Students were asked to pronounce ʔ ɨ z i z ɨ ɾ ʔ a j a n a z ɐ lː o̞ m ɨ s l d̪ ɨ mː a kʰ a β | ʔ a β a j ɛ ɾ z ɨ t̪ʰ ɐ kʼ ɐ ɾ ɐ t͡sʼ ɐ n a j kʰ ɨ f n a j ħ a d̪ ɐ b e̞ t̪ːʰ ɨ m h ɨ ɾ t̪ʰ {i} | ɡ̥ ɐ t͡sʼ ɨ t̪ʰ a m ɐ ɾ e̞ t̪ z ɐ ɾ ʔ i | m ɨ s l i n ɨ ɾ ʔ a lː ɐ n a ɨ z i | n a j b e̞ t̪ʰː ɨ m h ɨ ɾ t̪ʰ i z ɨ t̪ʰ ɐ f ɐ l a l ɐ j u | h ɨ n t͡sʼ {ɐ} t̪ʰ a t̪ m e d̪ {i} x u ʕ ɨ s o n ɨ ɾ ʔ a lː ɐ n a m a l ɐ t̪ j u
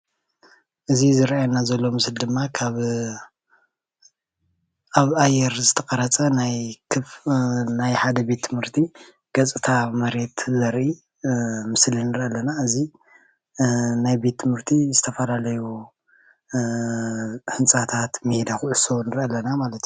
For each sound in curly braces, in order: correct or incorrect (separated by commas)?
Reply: correct, incorrect, incorrect